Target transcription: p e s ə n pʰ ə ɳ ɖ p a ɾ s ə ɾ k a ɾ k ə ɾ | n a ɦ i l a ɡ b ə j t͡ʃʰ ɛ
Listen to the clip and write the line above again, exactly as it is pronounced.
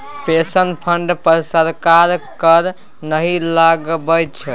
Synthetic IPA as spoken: p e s ə n pʰ ə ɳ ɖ p ə ɾ s ə ɾ k a ɾ k ə ɾ | n ə ɦ i l a ɡ b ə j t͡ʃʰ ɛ